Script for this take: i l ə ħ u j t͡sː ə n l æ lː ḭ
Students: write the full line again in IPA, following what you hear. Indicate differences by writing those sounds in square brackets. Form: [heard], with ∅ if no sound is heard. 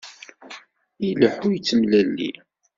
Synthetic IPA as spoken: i l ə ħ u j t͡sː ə [m] l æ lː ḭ